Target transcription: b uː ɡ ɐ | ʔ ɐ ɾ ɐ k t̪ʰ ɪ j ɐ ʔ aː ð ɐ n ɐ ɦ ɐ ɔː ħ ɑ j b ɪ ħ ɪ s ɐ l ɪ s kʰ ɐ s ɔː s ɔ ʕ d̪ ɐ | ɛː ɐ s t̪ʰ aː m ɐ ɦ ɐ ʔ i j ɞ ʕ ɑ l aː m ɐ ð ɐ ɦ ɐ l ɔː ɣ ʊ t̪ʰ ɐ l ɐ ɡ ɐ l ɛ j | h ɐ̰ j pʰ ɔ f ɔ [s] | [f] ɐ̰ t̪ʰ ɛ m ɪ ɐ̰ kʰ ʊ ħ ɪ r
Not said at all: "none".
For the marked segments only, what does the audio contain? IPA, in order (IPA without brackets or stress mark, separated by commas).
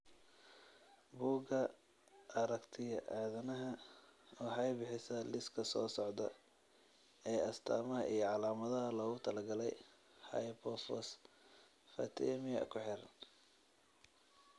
s, f